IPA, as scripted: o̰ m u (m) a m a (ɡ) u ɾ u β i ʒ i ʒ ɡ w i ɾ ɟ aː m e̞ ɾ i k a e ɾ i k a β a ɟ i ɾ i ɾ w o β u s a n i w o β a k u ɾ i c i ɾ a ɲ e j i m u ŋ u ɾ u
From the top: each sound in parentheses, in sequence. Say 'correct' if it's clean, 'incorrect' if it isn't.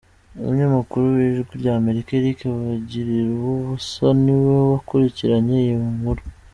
incorrect: ɲ, incorrect: k

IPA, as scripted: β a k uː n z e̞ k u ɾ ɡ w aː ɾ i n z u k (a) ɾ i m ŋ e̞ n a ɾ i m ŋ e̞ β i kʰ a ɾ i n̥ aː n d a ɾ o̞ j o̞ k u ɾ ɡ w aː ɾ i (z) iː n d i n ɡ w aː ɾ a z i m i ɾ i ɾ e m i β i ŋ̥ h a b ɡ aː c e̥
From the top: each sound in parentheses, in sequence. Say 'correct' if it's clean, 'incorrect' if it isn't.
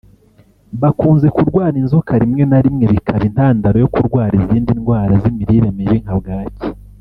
correct, correct

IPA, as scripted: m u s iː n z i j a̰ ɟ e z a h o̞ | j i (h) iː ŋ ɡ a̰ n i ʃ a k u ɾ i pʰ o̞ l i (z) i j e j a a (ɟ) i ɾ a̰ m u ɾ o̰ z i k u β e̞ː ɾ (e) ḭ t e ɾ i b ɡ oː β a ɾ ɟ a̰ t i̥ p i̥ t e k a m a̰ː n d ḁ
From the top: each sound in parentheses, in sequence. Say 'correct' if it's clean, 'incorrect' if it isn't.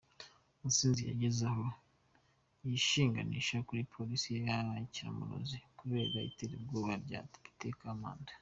incorrect: ʃ, incorrect: s, incorrect: c, incorrect: a

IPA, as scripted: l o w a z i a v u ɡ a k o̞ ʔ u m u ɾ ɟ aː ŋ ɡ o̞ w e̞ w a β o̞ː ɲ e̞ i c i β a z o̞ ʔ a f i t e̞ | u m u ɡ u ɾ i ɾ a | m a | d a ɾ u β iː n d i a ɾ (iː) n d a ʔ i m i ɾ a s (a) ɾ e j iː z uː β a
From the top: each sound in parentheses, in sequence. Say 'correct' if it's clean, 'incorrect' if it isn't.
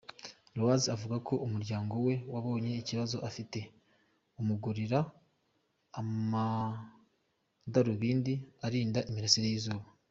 correct, incorrect: i

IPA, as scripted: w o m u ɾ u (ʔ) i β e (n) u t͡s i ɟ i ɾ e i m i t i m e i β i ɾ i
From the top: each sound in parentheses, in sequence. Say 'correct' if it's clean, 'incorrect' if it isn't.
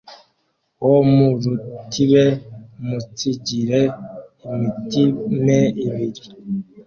incorrect: t, incorrect: m

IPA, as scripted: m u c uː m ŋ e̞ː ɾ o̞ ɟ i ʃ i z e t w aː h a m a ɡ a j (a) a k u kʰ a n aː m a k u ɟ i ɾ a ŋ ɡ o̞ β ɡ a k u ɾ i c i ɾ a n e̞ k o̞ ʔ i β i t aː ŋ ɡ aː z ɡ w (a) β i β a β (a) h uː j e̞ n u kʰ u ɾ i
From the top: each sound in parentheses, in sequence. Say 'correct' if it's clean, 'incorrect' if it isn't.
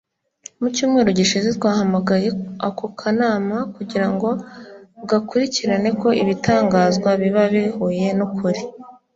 incorrect: e, correct, incorrect: i

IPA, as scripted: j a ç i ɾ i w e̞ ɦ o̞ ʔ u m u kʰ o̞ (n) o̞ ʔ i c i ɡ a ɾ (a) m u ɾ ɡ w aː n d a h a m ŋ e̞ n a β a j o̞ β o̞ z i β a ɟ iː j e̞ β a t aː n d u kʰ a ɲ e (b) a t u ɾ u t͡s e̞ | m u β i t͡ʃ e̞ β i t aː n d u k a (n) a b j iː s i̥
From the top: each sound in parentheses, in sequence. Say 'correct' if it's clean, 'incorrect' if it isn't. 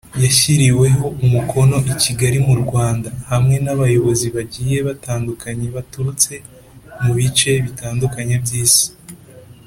correct, incorrect: i, incorrect: β, incorrect: ɲ

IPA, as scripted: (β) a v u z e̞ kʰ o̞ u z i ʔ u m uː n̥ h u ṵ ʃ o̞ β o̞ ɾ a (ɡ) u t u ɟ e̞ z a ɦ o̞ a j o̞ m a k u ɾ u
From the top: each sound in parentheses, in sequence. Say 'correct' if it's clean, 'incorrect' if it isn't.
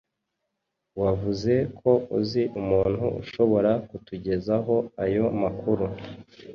incorrect: w, incorrect: k

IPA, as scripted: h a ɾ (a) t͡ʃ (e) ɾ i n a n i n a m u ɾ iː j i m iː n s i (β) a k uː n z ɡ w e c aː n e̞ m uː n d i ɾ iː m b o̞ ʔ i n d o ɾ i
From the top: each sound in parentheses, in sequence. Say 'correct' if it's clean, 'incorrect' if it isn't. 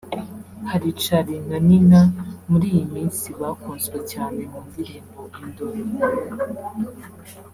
incorrect: i, incorrect: a, correct

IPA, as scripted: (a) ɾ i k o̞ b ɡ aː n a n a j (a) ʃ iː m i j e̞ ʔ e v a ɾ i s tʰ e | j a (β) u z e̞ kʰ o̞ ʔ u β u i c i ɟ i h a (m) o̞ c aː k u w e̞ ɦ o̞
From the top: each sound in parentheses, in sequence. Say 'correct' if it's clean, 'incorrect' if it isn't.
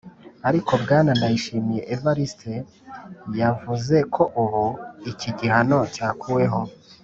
correct, incorrect: i, incorrect: v, incorrect: n

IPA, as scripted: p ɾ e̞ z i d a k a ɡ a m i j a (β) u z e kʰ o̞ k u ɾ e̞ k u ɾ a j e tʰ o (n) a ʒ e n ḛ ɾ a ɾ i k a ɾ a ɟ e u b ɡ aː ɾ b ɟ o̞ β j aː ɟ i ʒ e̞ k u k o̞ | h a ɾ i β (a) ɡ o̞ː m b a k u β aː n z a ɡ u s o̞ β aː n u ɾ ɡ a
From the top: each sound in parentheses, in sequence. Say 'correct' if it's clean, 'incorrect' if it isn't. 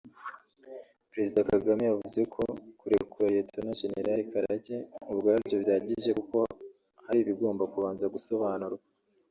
incorrect: v, correct, incorrect: i

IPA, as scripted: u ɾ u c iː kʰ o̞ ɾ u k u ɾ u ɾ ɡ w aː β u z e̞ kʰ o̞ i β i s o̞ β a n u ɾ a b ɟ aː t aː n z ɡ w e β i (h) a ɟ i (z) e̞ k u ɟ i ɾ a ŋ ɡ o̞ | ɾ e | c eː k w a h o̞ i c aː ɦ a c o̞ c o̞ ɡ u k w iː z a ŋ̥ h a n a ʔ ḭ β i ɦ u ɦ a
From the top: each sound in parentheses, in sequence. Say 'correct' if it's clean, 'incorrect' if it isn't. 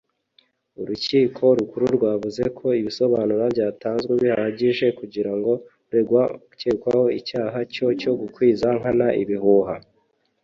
correct, incorrect: ʒ

